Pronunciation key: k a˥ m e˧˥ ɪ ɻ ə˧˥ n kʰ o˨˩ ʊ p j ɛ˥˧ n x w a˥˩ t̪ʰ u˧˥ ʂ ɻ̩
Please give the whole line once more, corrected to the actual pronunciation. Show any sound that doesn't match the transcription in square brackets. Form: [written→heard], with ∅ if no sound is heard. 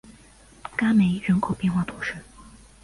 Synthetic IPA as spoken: k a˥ m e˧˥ ɪ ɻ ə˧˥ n kʰ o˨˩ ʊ p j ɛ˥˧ n x w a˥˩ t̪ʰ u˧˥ ʂ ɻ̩